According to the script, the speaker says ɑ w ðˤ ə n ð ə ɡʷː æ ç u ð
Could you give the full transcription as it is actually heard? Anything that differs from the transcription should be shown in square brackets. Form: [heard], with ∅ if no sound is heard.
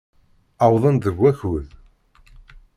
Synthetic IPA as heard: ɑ w ðˤ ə n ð ə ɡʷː æ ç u ð